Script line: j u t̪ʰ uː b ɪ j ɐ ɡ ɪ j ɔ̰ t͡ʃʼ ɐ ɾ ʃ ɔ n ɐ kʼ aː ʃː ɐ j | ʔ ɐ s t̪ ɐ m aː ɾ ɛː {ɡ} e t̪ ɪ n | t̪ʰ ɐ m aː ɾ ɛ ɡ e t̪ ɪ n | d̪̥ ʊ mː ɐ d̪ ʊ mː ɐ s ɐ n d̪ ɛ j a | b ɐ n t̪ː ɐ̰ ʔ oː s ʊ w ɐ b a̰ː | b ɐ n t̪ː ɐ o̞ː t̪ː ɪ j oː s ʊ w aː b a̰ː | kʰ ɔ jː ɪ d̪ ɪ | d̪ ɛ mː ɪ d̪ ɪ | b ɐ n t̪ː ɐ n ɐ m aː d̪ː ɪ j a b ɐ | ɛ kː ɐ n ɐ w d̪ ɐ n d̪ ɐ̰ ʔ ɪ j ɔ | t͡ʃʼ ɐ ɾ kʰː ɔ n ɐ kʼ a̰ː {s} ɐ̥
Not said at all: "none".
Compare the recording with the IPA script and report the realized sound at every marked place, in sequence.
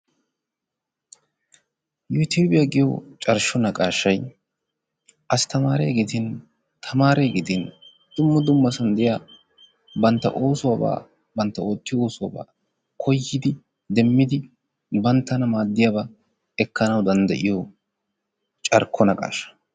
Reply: ɡ, ʃ

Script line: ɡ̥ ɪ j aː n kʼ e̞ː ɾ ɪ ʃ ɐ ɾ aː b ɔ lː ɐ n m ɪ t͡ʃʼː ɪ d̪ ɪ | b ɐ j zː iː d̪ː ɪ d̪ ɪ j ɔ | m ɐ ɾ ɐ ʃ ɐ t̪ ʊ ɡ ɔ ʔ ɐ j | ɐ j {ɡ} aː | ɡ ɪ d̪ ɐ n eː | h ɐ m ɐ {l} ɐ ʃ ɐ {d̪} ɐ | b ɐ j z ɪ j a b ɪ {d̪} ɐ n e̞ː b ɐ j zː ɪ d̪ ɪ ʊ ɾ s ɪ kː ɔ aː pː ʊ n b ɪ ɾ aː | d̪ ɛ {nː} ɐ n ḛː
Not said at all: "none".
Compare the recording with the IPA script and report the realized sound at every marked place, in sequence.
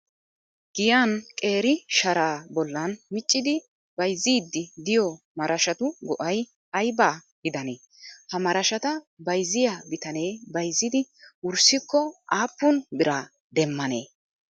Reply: b, ɾ, t̪, t̪, mː

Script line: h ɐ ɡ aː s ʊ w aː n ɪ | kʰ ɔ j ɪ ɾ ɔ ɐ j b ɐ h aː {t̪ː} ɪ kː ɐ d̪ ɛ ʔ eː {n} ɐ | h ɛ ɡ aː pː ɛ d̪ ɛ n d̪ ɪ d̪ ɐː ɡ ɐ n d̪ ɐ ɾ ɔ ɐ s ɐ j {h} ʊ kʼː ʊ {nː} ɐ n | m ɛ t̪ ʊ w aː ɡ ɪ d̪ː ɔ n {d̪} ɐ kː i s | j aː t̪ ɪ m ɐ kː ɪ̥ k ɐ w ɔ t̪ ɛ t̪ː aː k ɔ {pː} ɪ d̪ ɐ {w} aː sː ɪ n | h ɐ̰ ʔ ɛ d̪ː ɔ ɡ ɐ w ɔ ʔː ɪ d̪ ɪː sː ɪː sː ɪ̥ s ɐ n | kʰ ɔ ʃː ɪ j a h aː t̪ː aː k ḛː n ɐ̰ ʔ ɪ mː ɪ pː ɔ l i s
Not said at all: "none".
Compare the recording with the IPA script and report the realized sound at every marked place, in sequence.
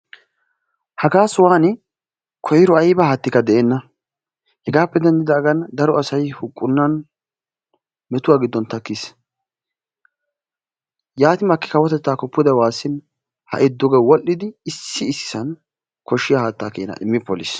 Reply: t̪ː, nː, h, nː, t̪, pː, w

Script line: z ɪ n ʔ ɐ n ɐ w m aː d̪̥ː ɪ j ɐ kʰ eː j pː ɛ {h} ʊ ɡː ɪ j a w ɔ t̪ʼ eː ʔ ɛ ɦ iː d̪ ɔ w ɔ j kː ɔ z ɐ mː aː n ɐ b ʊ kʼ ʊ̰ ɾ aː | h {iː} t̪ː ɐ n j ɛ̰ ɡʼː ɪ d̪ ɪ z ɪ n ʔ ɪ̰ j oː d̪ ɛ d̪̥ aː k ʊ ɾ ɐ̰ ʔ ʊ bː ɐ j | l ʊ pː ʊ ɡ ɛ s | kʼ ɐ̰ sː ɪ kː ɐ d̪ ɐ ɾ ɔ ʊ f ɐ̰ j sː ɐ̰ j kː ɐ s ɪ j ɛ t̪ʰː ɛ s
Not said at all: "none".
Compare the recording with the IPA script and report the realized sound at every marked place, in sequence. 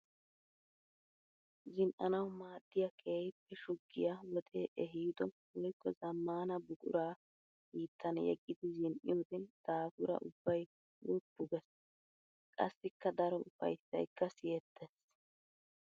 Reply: ʃ, iː

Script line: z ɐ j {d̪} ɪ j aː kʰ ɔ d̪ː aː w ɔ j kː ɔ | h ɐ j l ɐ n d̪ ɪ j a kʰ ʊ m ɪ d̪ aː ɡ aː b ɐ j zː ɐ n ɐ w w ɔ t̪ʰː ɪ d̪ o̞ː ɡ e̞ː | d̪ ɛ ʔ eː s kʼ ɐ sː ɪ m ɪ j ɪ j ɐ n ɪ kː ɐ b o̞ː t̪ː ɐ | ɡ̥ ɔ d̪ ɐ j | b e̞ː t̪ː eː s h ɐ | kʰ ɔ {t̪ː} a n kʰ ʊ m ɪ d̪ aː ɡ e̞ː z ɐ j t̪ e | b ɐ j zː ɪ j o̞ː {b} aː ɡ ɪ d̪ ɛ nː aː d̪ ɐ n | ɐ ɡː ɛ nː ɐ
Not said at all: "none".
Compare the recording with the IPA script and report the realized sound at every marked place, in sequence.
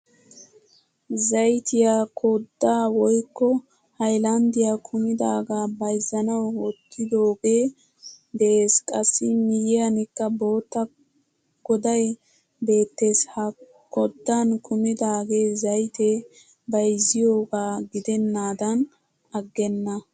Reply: t̪, d̪ː, ɡ

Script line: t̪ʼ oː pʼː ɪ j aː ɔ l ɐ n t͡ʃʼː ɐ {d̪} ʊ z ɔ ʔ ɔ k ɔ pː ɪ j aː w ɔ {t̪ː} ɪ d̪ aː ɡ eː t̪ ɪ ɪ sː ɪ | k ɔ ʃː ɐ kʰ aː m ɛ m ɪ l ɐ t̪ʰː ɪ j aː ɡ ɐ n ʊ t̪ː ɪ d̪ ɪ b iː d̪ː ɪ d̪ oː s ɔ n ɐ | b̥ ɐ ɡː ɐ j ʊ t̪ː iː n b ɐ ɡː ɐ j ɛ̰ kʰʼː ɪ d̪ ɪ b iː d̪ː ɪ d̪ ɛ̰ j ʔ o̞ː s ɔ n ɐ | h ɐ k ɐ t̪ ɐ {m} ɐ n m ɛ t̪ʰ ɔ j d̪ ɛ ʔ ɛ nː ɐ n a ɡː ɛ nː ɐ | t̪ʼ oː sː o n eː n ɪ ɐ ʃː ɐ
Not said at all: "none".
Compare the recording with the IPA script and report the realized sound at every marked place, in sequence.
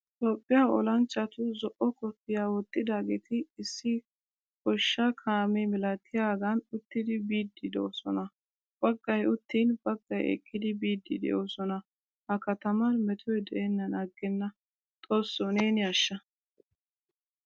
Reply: t̪, t̪ʼː, m

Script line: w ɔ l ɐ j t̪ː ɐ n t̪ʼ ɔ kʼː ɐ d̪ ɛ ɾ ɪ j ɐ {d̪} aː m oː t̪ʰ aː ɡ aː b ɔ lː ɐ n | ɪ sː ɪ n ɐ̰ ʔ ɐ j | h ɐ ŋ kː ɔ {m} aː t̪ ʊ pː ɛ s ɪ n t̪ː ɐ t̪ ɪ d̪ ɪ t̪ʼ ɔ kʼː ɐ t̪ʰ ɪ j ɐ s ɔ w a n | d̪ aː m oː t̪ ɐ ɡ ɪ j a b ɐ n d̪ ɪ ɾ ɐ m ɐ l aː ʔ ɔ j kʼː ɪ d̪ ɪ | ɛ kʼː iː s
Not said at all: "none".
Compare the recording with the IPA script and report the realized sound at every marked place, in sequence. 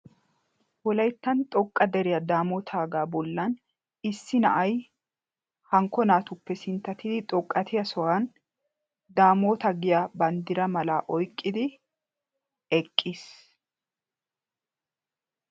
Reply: d̪, n

